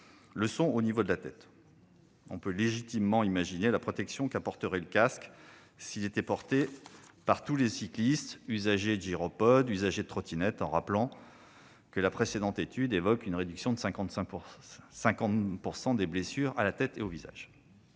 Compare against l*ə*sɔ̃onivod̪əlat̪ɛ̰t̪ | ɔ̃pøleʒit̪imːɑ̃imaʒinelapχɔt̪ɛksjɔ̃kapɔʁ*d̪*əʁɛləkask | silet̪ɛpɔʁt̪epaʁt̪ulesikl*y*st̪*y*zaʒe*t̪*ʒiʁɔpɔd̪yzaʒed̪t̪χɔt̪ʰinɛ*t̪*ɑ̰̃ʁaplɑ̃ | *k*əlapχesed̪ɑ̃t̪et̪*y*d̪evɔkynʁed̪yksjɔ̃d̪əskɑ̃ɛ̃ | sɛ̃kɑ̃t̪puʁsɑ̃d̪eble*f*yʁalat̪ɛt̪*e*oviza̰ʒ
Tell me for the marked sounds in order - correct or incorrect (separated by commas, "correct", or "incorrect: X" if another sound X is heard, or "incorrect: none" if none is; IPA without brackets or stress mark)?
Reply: correct, incorrect: t̪, incorrect: i, correct, incorrect: d̪, correct, correct, correct, incorrect: s, correct